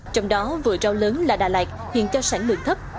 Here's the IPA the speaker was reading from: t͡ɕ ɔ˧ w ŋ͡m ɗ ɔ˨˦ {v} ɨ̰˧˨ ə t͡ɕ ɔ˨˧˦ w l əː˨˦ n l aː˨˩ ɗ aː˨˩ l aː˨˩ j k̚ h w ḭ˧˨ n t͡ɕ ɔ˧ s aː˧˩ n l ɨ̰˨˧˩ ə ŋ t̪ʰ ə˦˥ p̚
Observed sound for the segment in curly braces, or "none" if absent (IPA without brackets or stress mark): v